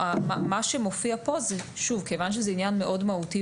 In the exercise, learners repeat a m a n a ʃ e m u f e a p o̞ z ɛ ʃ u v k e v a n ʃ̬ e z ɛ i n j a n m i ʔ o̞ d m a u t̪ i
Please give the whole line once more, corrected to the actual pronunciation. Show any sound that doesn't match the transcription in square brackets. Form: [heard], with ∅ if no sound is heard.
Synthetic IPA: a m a [m] a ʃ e m [o] f [i] a p o̞ z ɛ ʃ u v k e v a n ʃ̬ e z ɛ i n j a n m [e] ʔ o̞ d m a u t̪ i